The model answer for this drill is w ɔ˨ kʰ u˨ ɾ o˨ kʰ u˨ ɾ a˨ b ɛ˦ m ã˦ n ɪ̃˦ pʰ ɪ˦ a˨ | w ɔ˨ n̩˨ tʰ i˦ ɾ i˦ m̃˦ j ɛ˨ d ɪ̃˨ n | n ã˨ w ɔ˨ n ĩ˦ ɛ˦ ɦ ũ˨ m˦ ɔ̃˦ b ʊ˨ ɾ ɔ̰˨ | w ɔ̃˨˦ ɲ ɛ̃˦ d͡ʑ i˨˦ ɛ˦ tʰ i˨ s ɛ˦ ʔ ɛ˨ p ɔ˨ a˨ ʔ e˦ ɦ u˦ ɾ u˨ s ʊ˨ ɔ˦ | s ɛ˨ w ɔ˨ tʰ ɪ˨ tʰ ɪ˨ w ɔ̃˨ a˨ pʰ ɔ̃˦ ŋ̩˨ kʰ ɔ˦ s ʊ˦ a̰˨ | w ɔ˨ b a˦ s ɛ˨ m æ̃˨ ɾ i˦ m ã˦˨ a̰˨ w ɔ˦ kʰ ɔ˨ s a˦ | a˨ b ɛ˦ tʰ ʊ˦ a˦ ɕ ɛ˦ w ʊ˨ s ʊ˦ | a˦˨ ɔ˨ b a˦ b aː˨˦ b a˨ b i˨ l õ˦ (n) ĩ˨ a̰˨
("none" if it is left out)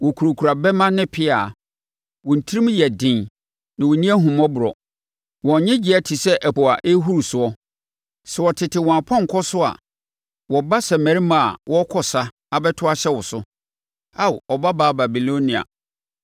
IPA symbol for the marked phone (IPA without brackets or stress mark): n